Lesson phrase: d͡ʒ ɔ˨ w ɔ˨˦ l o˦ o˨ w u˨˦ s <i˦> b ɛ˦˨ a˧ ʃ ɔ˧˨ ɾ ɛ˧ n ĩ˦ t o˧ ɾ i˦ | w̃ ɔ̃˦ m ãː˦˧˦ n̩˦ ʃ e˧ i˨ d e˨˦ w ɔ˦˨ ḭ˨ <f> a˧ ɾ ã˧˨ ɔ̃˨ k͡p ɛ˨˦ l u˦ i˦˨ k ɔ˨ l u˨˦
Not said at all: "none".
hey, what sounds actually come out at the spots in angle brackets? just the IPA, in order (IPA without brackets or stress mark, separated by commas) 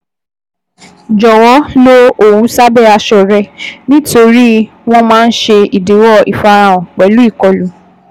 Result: a˦, f